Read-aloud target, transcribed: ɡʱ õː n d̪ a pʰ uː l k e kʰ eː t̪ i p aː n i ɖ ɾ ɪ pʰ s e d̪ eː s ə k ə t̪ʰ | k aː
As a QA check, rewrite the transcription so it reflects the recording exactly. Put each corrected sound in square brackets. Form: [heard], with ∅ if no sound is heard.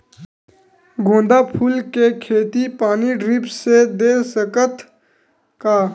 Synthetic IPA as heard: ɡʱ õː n d̪ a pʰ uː l k e kʰ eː t̪ i p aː n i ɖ ɾ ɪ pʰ s e d̪ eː s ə k ə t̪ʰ | k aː